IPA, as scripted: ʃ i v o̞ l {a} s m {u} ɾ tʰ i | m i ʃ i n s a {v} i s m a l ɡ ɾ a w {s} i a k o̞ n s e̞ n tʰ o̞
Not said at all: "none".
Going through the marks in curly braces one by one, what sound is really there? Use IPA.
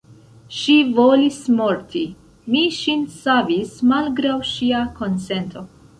i, o, v, ʃ

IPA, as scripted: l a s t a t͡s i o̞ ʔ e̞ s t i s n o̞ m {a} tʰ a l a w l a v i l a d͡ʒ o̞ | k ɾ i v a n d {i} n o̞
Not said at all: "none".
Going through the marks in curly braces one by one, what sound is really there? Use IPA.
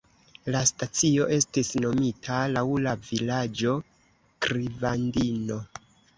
i, i

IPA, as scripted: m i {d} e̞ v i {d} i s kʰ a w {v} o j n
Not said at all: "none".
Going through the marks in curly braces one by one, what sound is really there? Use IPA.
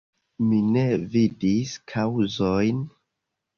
n, d, z

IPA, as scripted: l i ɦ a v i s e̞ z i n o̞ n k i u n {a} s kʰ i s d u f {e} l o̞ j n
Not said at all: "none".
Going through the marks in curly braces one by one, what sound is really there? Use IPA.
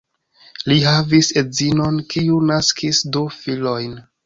a, i

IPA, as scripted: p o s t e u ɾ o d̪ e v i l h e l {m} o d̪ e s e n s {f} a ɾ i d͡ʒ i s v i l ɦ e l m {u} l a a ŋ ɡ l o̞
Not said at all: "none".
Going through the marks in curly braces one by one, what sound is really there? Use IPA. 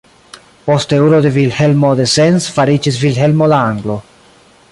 m, f, o

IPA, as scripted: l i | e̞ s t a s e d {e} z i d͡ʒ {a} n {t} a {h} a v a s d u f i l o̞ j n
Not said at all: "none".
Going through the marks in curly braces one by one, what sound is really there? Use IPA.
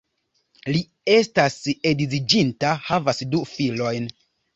i, i, t, h

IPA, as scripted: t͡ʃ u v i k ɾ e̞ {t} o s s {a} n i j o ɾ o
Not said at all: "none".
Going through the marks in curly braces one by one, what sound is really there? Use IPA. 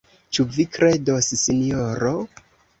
d, i

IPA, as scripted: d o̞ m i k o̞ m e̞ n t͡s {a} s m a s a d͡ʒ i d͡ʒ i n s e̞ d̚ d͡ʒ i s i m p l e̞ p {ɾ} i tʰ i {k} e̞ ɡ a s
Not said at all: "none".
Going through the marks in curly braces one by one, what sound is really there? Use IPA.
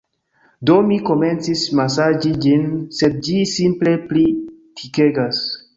i, l, k

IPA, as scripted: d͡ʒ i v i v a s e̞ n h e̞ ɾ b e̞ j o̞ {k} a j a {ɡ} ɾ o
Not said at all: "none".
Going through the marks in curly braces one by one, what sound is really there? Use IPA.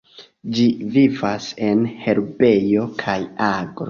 kʰ, ɡ

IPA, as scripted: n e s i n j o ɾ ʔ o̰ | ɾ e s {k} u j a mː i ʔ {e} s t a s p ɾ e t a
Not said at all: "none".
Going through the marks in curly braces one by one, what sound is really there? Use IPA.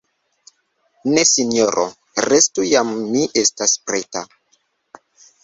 t, e

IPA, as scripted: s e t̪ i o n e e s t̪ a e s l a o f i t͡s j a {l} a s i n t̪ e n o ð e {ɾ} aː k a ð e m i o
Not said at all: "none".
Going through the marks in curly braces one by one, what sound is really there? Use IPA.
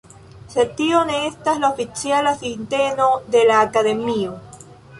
l, l

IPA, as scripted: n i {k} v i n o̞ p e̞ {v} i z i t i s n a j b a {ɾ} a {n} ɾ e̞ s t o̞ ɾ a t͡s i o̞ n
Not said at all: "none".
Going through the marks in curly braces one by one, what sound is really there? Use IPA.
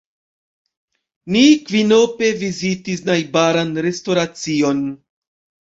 k, v, ɾ, n

